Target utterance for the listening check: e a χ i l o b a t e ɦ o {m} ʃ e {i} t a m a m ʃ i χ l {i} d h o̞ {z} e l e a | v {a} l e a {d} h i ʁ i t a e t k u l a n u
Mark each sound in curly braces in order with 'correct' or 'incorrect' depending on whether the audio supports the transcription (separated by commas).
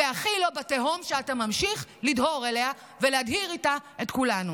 correct, incorrect, correct, incorrect, incorrect, correct